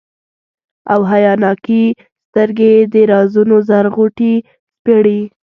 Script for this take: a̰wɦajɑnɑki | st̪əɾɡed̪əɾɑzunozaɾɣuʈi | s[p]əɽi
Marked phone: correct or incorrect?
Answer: correct